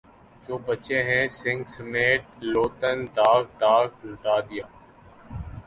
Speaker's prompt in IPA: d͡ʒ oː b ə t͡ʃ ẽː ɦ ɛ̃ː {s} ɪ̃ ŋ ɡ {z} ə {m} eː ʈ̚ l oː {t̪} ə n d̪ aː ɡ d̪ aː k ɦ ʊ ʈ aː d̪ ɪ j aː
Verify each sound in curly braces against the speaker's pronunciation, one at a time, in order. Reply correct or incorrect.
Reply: correct, incorrect, correct, correct

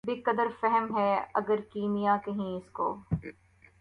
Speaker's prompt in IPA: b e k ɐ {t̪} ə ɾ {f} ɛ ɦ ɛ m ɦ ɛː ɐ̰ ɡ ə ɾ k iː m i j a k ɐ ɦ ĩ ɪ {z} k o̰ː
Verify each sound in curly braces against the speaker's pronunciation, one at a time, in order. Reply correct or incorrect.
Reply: incorrect, correct, incorrect

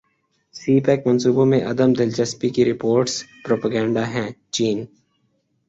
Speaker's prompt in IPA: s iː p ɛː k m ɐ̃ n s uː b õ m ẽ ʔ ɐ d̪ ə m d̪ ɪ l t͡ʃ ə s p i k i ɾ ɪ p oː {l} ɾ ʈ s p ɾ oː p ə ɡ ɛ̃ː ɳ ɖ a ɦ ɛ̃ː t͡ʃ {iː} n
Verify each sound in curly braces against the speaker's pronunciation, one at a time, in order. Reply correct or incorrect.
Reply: incorrect, correct

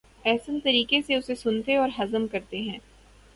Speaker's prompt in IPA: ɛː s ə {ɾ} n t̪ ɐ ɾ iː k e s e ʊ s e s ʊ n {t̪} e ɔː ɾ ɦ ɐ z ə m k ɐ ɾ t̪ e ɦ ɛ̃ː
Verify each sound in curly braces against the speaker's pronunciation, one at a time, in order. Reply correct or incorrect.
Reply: incorrect, correct

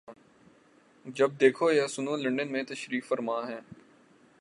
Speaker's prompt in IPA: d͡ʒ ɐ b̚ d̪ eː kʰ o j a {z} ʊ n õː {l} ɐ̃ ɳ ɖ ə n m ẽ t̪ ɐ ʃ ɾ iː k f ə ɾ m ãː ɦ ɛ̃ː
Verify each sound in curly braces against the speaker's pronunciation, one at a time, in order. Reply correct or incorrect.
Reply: incorrect, correct

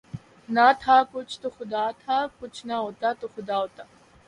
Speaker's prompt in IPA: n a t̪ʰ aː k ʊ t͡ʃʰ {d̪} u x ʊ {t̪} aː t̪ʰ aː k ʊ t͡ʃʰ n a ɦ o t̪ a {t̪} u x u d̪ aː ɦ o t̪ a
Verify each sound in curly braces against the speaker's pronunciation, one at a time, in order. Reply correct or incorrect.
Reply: incorrect, incorrect, correct

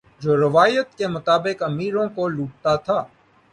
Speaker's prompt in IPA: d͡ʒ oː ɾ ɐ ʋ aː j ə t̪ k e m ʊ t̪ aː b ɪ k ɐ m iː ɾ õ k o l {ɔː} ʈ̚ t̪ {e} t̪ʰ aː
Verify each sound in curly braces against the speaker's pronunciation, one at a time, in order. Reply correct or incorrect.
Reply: incorrect, incorrect

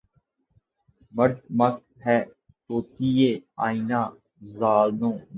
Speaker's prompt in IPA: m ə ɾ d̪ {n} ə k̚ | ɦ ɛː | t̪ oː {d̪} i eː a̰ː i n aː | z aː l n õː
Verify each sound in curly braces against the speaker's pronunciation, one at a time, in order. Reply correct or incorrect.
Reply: incorrect, incorrect

